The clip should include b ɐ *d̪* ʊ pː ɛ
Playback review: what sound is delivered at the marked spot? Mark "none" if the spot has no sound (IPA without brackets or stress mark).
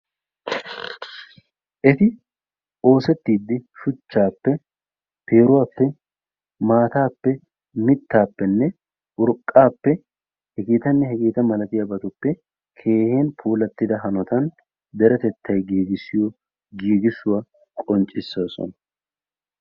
t̪